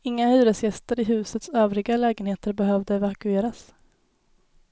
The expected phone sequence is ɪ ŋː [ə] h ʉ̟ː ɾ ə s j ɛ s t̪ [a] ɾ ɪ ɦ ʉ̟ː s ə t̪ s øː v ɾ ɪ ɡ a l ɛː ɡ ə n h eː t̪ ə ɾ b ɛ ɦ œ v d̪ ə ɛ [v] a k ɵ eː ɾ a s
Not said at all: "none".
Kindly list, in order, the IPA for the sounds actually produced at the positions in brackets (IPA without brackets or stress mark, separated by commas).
a, ə, v